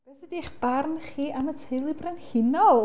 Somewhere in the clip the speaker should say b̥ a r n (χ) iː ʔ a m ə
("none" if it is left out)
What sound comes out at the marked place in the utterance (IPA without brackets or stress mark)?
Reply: χ